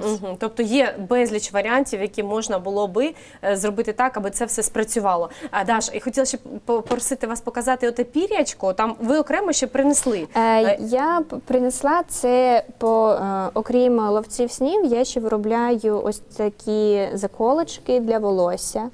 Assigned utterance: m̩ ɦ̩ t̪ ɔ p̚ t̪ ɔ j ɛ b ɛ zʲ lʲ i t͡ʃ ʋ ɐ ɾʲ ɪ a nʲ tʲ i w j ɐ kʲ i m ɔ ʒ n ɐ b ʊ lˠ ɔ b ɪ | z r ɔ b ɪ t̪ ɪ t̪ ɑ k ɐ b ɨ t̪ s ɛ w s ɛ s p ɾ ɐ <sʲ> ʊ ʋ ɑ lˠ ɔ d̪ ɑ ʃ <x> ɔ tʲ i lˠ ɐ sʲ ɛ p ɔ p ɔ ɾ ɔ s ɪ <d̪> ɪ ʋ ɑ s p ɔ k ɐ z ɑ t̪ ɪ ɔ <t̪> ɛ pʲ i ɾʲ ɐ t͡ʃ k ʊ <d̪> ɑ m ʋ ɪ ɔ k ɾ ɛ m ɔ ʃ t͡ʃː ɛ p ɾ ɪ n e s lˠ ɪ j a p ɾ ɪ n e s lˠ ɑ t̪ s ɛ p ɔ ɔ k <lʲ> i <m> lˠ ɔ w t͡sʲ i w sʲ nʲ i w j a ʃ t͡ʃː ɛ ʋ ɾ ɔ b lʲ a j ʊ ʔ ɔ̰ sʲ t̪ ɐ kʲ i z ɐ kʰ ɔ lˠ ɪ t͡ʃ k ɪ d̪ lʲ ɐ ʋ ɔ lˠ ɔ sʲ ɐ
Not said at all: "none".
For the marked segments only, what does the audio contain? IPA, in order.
t͡sʲ, x, t̪, t̪, t̪, ɾʲ, m

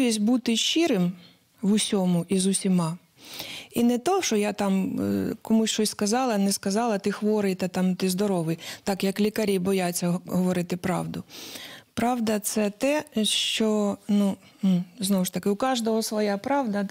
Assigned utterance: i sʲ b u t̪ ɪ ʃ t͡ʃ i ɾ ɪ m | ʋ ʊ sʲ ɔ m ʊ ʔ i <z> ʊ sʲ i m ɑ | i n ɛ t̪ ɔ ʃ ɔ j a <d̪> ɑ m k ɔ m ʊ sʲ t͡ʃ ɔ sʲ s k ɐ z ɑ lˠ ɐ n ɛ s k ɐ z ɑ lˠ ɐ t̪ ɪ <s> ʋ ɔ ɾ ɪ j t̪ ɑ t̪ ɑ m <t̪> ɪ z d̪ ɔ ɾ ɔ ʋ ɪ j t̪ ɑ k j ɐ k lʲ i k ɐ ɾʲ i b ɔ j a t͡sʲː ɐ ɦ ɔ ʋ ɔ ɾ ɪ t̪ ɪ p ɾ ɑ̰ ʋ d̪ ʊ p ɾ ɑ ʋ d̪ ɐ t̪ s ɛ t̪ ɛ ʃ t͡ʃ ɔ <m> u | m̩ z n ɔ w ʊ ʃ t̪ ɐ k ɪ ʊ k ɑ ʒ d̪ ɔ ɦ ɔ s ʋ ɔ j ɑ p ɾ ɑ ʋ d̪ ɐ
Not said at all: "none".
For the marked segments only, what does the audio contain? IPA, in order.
z, t̪, x, t̪, n

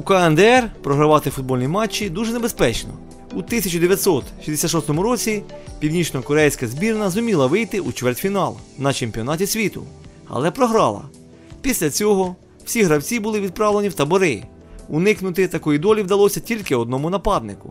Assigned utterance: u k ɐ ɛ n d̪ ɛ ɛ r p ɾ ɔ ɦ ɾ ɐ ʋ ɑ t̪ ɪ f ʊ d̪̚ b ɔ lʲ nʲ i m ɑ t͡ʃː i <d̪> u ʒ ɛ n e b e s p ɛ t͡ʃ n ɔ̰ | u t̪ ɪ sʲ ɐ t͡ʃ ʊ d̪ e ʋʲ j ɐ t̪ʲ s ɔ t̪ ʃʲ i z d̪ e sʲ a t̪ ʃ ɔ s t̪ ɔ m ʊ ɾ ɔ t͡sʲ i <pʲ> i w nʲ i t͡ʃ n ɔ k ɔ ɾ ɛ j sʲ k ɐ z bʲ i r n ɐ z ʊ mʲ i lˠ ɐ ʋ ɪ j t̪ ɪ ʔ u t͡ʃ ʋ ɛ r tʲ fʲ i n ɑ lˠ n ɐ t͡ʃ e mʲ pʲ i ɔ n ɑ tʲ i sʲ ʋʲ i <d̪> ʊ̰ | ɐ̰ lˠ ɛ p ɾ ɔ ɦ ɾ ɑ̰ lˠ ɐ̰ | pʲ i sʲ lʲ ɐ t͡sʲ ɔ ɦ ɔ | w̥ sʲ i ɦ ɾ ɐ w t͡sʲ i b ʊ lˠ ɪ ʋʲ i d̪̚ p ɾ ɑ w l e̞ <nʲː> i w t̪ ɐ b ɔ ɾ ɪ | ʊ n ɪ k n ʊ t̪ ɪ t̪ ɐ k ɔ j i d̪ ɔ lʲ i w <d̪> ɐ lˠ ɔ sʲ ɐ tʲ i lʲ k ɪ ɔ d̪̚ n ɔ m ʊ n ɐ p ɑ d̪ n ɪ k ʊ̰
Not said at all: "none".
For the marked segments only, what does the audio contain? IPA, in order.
d̪, pʲ, t̪, nʲ, d̪

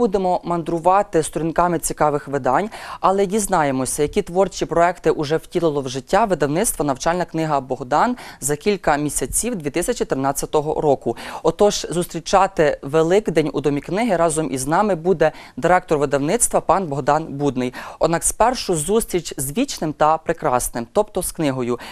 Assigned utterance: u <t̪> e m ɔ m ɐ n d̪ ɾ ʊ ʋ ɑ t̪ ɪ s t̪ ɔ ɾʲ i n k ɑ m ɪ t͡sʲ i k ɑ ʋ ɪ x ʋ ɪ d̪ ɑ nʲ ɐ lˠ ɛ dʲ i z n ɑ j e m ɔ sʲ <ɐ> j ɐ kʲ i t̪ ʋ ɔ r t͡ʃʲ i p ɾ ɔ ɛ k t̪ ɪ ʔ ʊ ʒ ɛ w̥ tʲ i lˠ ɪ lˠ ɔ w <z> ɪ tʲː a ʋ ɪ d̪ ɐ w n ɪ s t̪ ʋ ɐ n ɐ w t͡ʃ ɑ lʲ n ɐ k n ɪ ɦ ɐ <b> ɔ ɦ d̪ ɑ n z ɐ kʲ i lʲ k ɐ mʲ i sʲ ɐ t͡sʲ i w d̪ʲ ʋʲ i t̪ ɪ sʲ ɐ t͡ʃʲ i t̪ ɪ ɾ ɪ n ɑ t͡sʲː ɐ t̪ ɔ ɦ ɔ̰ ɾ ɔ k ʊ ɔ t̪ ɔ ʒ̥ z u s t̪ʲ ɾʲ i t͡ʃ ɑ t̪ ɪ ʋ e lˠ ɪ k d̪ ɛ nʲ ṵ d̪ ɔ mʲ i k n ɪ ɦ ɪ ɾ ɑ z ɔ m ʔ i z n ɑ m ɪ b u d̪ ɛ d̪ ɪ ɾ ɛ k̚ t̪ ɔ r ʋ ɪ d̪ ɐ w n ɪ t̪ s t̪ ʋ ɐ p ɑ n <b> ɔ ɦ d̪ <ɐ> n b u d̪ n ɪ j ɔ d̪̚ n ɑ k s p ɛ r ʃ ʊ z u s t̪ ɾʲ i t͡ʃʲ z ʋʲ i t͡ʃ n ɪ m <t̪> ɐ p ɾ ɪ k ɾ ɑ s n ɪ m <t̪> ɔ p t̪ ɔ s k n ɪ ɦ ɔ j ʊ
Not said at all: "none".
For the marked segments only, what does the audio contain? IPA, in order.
d̪, ɐ, ʒ, b, b, ɑ, t̪, t̪

